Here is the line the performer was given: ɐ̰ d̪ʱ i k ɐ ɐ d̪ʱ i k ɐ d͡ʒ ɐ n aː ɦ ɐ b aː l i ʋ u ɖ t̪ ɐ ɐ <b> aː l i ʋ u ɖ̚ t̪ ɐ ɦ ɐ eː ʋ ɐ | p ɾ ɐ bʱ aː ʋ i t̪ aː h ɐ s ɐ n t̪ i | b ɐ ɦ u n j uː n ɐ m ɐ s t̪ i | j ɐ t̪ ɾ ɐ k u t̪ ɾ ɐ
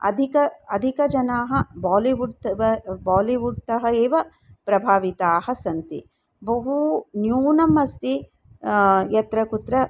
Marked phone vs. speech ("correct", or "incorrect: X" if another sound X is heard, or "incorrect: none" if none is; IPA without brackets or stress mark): correct